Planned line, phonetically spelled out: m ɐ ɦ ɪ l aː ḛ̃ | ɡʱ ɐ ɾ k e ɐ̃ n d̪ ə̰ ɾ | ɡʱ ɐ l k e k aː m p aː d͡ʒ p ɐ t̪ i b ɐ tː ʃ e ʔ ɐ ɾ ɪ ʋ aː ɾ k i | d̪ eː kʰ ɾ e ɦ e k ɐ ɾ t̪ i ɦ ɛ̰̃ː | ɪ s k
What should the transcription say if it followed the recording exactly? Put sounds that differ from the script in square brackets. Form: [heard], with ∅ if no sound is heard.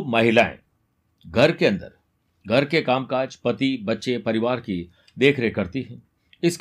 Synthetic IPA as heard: m ɐ ɦ ɪ l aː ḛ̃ | ɡʱ ɐ ɾ k e ɐ̃ n d̪ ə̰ ɾ | ɡʱ ɐ [ɾ] k e k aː m [k] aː d͡ʒ p ɐ t̪ i b ɐ tː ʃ e [p] ɐ ɾ ɪ ʋ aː ɾ k i | d̪ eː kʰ ɾ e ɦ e k ɐ ɾ t̪ i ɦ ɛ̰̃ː | ɪ s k